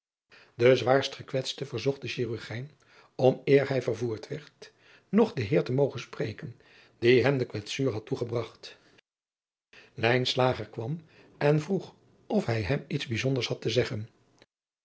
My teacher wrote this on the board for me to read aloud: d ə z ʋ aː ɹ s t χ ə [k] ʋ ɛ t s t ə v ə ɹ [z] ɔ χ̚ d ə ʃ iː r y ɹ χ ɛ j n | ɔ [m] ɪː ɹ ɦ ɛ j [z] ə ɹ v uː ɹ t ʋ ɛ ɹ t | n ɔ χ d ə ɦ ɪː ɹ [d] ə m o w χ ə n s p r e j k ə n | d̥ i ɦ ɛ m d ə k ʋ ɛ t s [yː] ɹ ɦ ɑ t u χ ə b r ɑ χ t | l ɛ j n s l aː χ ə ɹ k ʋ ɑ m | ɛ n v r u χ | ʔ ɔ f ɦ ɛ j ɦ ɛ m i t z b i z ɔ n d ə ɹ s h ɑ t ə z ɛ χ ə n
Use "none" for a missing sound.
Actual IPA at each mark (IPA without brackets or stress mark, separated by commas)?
k, z, m, v, t, yː